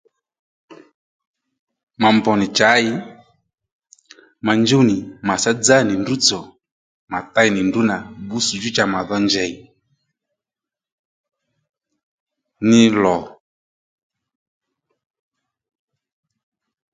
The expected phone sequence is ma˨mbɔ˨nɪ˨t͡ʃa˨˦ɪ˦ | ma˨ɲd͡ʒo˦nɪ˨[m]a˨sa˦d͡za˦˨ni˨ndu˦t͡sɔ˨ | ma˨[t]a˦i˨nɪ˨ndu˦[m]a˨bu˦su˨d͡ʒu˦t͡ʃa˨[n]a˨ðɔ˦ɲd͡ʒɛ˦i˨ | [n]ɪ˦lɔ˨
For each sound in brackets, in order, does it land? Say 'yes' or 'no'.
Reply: yes, yes, no, no, yes

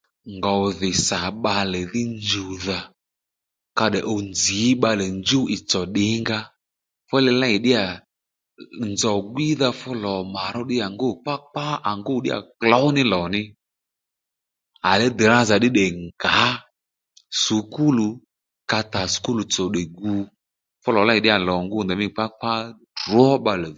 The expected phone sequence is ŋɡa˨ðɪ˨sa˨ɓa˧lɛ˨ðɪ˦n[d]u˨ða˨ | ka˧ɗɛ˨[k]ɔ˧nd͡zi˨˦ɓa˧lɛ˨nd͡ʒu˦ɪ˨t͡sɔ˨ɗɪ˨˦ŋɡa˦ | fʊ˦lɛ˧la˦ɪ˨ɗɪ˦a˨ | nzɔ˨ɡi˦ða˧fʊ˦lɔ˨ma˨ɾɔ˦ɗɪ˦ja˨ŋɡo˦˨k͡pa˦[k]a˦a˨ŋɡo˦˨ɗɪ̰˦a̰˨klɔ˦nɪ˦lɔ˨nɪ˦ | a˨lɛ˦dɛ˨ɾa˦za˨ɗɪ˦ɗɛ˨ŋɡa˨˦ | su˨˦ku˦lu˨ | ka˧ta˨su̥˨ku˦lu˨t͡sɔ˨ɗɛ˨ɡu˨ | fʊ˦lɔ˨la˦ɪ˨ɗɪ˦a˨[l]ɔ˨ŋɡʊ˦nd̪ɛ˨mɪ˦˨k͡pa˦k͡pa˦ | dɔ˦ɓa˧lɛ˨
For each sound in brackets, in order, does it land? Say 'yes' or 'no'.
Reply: no, no, no, yes

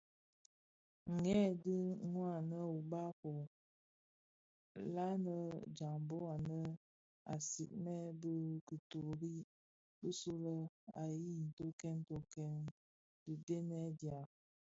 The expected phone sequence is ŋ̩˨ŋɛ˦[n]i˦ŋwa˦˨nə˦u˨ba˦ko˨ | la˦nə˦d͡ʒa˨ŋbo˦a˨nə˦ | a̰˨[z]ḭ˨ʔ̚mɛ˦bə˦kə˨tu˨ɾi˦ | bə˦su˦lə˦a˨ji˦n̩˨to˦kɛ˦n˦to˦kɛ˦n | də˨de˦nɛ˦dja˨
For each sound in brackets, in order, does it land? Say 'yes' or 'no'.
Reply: no, no

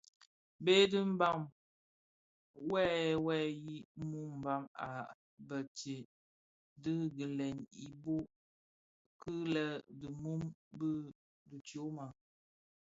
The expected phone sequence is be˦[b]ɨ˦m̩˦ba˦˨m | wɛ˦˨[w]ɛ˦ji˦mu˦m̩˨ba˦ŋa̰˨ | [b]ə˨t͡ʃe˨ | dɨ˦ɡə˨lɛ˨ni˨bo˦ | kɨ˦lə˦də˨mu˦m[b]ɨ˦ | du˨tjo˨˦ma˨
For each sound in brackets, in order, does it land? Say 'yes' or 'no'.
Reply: no, yes, yes, yes

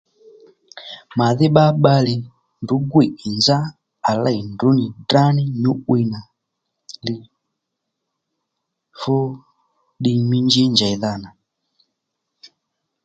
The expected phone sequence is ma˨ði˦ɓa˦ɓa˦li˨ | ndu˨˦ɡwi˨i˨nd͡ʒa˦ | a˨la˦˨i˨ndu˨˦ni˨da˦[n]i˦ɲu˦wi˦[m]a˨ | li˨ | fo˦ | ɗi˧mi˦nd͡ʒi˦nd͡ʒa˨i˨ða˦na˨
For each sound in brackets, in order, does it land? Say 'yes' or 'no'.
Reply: yes, no

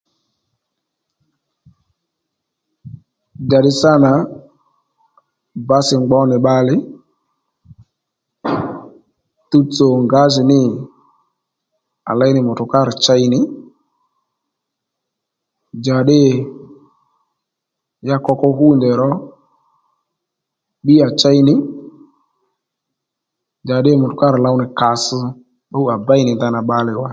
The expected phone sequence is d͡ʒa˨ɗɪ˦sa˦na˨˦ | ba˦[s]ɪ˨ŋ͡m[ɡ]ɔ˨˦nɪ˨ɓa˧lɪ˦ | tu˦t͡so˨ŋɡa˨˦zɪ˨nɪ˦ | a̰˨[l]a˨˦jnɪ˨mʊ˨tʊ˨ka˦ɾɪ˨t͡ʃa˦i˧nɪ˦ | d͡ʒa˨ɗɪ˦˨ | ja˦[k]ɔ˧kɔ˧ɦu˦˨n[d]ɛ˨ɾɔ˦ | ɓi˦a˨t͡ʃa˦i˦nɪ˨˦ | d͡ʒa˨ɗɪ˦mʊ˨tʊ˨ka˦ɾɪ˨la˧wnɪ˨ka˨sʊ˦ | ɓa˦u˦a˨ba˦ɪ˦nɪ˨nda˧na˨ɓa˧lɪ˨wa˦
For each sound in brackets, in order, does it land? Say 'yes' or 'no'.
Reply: yes, no, yes, yes, yes

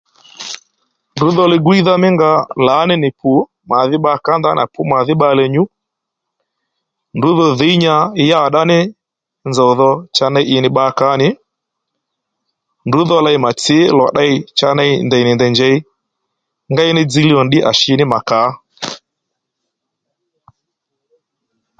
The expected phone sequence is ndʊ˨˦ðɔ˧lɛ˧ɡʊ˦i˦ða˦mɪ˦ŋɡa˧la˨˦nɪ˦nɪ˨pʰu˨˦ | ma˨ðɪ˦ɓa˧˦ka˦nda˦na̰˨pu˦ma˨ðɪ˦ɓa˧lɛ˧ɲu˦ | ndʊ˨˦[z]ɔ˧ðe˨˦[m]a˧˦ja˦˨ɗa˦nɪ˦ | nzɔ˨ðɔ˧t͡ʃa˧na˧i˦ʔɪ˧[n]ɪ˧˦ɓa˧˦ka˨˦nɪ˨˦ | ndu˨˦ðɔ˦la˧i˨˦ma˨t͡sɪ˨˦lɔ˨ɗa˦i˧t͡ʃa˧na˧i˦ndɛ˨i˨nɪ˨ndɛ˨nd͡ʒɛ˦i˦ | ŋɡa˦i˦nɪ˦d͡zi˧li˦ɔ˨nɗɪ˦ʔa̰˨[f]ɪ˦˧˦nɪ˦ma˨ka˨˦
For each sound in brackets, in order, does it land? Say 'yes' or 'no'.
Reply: no, no, yes, no

